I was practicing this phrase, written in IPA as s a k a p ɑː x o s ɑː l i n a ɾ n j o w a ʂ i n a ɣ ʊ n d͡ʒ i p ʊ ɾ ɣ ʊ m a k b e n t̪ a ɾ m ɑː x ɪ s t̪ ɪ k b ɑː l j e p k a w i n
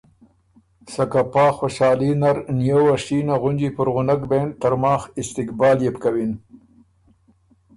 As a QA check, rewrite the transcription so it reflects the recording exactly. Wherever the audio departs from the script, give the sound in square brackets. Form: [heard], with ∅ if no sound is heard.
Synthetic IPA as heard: s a k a p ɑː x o [ʃ] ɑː l i n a ɾ n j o w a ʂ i n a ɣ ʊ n d͡ʒ i p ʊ ɾ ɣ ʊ [n] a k b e n t̪ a ɾ m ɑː x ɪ s t̪ ɪ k b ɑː l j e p k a w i n